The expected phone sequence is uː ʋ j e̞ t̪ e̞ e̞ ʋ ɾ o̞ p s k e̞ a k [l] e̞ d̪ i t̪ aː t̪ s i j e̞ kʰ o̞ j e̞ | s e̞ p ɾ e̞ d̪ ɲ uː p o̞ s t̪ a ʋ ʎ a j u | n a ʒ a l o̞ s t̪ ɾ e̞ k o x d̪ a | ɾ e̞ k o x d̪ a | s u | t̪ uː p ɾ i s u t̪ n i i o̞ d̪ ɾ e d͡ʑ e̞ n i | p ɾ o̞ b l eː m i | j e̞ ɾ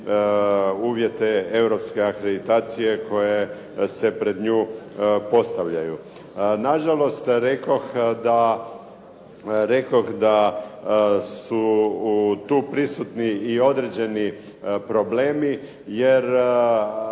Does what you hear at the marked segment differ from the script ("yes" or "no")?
yes